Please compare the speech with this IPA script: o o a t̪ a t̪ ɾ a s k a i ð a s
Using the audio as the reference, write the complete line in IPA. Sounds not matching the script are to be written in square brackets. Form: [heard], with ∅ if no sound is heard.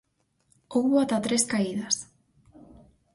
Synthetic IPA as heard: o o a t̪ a t̪ ɾ [e] s k a i ð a s